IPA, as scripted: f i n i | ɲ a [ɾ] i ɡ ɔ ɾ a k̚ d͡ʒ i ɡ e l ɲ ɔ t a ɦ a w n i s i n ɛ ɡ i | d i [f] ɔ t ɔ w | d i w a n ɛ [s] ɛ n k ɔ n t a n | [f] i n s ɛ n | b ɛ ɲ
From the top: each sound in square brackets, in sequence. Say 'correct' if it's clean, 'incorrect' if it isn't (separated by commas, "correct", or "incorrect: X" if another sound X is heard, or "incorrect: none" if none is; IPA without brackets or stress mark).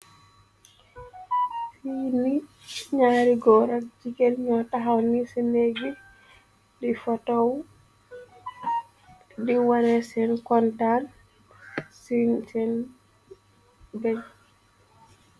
correct, correct, correct, incorrect: s